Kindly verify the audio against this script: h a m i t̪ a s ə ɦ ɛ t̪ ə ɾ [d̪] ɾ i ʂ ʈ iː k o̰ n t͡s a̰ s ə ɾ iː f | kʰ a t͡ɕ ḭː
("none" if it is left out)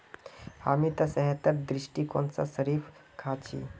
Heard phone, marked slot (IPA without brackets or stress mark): d̪